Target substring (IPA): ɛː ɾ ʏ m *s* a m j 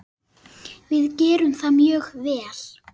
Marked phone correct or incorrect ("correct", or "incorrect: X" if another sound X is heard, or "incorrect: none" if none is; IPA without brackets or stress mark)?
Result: incorrect: θ